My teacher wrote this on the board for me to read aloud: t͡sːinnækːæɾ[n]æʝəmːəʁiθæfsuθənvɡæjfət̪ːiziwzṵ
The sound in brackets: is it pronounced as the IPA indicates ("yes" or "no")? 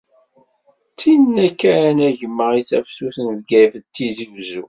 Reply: yes